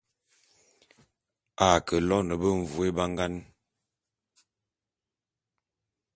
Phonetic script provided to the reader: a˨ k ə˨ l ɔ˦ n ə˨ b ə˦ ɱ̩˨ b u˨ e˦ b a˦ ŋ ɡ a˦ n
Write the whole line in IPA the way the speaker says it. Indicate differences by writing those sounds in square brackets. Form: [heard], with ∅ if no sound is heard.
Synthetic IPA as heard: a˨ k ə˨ l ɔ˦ n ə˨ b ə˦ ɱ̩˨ [v] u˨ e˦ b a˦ ŋ ɡ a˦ n

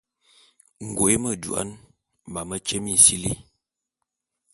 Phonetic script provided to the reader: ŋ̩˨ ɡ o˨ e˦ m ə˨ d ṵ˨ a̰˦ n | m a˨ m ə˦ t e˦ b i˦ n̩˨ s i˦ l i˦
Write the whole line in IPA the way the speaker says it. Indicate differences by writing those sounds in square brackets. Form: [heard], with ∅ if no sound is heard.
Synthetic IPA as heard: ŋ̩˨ ɡ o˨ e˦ m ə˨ d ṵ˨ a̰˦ n | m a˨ m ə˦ [t͡ʃ] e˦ [m] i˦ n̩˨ s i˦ l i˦

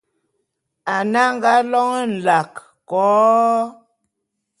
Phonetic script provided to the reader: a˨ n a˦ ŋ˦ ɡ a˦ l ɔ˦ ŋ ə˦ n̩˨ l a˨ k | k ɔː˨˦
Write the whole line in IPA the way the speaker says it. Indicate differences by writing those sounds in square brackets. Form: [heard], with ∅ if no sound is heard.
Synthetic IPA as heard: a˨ n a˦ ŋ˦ ɡ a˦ l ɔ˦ ŋ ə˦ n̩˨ l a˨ k | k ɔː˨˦

